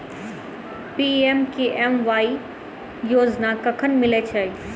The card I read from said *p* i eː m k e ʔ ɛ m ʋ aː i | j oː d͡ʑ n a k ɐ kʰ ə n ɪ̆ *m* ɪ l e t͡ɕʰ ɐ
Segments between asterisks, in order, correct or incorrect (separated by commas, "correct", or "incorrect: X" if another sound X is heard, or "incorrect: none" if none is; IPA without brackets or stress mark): correct, correct